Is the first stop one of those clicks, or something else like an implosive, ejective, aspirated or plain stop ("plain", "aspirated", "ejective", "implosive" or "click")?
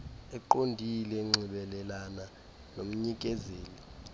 click